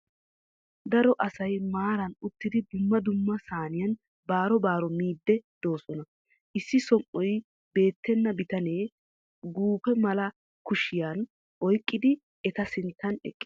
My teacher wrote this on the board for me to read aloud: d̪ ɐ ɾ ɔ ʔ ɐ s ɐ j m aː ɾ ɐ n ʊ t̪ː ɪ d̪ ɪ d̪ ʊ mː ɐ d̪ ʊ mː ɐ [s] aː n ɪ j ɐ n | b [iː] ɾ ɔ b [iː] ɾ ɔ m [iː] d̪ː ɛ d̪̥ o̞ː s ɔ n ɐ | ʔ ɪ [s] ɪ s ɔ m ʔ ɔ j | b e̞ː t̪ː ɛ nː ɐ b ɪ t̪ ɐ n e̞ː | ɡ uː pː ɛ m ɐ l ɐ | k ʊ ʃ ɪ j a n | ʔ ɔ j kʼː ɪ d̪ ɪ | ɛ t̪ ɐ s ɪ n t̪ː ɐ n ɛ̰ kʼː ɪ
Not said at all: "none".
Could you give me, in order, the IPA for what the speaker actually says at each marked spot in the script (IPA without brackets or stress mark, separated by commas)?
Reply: s, aː, aː, iː, sː